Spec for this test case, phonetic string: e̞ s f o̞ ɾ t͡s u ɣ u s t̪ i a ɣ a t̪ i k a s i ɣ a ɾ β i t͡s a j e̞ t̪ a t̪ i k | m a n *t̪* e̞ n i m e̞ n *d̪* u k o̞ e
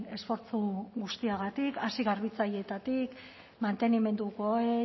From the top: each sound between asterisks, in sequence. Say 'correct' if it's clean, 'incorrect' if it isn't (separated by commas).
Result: correct, correct